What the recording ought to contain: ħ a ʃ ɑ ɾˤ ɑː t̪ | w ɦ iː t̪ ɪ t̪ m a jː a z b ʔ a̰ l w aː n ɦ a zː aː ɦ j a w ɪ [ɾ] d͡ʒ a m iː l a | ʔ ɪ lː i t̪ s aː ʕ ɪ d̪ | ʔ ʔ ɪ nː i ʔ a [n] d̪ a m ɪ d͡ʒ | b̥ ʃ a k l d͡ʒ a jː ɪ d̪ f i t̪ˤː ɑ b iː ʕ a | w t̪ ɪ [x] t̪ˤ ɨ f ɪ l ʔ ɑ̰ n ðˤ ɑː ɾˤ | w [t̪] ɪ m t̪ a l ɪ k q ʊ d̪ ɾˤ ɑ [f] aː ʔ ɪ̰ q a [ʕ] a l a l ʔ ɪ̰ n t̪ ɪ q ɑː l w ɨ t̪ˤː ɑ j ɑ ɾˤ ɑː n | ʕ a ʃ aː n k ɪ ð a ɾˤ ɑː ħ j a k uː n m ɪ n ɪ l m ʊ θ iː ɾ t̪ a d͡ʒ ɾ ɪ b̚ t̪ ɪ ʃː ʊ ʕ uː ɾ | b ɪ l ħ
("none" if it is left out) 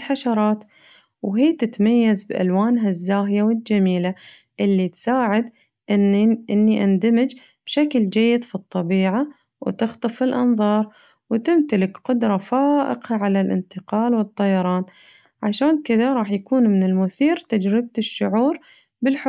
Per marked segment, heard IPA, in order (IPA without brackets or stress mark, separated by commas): l, n, x, t̪, f, ʕ